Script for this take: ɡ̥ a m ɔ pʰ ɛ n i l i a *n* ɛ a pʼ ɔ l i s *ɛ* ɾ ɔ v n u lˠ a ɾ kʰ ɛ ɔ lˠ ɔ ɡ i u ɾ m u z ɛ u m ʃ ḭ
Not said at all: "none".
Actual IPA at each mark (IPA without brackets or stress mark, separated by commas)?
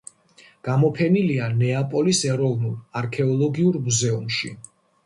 n, ɛ